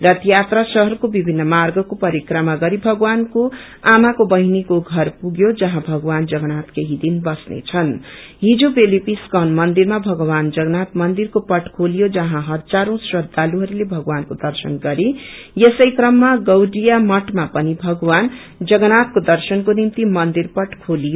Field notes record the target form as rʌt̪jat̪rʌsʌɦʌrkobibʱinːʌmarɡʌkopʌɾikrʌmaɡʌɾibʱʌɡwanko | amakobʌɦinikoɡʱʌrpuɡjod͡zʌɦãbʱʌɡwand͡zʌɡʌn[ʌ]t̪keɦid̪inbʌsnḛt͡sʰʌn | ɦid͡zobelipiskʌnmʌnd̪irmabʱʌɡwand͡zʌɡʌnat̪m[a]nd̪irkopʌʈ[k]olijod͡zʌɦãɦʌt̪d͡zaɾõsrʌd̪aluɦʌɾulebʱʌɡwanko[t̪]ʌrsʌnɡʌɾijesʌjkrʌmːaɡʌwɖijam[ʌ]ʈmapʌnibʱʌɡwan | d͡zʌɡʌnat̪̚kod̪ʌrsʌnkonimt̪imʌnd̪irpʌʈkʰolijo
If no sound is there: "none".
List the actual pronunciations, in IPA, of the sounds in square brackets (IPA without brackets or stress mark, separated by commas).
a, ʌ, kʰ, d̪, ʌ